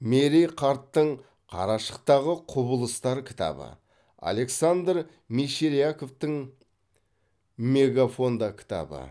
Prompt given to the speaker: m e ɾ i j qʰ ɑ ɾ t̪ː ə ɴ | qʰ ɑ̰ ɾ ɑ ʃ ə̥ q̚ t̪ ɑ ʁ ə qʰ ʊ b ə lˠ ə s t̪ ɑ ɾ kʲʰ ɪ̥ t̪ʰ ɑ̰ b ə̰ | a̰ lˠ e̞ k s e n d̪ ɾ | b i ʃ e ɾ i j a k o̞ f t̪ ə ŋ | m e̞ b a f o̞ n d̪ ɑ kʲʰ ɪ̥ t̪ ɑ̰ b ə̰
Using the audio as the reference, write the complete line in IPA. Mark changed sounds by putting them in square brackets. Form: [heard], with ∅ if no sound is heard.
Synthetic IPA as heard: m e ɾ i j qʰ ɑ ɾ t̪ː ə ɴ | qʰ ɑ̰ ɾ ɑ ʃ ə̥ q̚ t̪ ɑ ʁ ə qʰ ʊ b ə lˠ ə s t̪ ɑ ɾ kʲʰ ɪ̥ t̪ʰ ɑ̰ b ə̰ | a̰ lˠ e̞ k s [a] n d̪ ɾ | [m] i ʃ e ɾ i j a k o̞ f t̪ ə ŋ | m e̞ [ɡ] a f o̞ n d̪ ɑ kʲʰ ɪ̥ t̪ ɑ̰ b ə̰